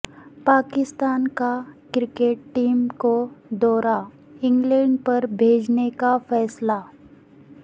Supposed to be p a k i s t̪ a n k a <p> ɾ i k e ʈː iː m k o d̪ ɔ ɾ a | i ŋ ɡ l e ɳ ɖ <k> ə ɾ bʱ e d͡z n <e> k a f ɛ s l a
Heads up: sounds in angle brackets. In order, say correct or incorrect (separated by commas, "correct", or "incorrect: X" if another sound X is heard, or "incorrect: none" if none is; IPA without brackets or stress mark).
incorrect: k, incorrect: p, correct